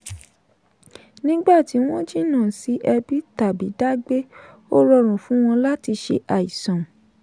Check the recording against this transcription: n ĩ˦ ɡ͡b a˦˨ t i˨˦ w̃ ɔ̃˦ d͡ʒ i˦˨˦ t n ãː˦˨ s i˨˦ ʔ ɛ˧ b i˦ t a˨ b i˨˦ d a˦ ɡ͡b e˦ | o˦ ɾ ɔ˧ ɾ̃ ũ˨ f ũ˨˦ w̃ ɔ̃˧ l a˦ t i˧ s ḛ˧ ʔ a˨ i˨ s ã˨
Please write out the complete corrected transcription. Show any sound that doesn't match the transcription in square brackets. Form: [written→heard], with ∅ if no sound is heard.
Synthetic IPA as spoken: n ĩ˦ ɡ͡b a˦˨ t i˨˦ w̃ ɔ̃˦ d͡ʒ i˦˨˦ [t→∅] n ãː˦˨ s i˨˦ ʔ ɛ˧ b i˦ t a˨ b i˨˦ d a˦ ɡ͡b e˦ | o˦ ɾ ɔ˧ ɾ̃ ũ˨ f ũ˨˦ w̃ ɔ̃˧ l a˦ t i˧ [s→ʃ] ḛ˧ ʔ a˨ i˨ s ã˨